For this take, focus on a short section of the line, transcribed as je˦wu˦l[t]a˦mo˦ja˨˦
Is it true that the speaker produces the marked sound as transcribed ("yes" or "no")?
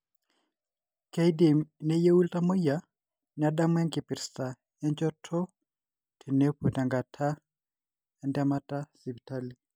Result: yes